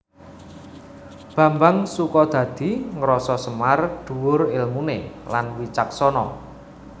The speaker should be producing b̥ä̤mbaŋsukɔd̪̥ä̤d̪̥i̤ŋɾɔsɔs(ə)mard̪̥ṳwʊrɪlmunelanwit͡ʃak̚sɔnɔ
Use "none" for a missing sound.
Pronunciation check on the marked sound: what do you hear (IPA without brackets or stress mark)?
ə